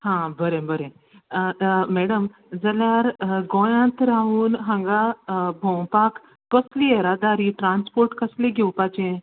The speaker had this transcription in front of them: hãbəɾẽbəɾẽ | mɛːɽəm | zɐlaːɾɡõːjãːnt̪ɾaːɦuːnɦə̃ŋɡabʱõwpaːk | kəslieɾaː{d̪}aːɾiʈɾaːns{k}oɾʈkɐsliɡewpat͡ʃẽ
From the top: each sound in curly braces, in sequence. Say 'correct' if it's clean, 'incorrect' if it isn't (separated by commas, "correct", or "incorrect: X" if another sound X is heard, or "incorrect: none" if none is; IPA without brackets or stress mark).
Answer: correct, incorrect: p